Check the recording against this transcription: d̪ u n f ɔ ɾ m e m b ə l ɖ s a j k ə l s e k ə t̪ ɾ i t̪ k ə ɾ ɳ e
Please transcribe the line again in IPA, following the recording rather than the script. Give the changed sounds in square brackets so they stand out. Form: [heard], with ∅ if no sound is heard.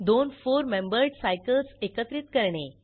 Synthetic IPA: d̪ [o] n f [o] ɾ m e m b ə [ɾ] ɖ s a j k ə l s e k ə t̪ ɾ i t̪ k ə ɾ ɳ e